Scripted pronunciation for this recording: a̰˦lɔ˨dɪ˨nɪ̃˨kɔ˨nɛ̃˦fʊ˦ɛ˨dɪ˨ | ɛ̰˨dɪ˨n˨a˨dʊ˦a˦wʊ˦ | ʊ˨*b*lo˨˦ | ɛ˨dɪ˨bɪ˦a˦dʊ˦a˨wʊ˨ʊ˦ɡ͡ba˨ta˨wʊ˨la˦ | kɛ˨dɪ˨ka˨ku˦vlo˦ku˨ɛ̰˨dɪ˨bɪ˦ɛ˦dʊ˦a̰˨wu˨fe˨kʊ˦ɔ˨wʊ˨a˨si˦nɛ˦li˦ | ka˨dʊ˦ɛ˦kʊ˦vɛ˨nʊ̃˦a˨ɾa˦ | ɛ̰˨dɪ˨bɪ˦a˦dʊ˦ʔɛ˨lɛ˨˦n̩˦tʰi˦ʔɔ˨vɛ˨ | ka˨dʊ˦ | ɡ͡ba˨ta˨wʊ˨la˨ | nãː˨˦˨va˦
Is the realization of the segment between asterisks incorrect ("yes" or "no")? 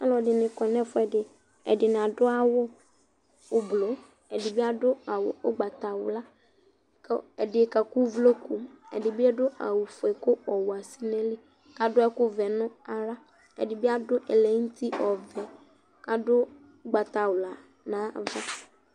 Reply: no